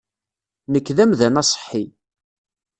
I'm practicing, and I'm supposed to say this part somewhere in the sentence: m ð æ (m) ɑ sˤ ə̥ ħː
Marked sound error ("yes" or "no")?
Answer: yes